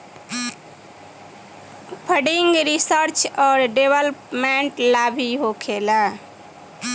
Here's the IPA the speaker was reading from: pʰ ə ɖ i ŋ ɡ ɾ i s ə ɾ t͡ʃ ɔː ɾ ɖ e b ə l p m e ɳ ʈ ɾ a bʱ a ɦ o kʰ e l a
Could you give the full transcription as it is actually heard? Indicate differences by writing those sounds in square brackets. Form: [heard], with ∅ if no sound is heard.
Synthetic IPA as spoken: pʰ ə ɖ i ŋ ɡ ɾ i s ə ɾ t͡ʃ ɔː ɾ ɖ e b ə l p m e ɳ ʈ [l] a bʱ [i] ɦ o kʰ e l a

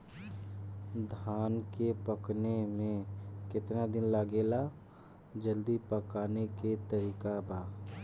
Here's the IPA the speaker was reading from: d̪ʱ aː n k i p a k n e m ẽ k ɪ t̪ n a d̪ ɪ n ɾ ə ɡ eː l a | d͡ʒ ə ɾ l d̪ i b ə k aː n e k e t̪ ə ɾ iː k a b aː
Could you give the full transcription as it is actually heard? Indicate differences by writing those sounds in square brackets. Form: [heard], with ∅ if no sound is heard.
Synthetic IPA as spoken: d̪ʱ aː n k [e] p [ə] k n e m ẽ k ɪ t̪ n a d̪ ɪ n [l] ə ɡ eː l a | d͡ʒ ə [∅] l d̪ i [p] ə k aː n e k e t̪ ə ɾ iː k a b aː

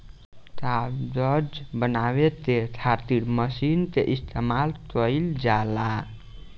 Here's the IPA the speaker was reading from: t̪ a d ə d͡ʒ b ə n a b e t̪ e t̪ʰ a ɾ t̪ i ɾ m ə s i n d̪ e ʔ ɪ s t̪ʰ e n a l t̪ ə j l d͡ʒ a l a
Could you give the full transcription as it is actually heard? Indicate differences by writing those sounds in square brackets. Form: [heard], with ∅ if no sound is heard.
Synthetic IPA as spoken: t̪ a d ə d͡ʒ b ə n a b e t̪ e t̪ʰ a ɾ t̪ i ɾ m ə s i n [t̪] e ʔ [i] s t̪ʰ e [m] a l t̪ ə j l d͡ʒ a l a

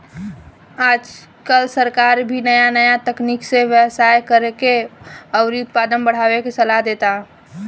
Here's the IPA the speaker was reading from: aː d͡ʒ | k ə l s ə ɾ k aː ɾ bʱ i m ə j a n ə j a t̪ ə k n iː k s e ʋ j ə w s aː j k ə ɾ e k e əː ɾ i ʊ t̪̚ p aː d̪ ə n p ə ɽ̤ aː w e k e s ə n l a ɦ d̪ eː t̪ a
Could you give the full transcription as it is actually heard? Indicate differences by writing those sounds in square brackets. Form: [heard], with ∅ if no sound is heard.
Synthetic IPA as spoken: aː d͡ʒ | k ə l s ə ɾ k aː ɾ bʱ i [n] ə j a n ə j a t̪ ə k n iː k s e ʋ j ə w s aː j k ə ɾ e k e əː ɾ i ʊ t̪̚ p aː d̪ ə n [b] ə ɽ̤ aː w e k e s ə [∅] l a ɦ d̪ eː t̪ a

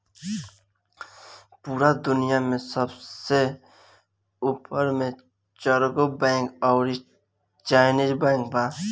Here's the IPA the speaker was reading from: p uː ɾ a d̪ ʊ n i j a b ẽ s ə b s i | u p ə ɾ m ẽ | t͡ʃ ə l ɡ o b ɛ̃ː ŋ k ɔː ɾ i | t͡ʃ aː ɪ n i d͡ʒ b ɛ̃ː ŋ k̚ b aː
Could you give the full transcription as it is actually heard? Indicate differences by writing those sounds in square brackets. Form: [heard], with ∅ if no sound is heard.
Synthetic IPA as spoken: p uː ɾ a d̪ ʊ n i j a [m] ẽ s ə b s [e] | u p ə ɾ m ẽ | t͡ʃ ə [ɾ] ɡ o b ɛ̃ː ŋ k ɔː ɾ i | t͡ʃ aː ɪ n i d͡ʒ b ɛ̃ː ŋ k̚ b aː

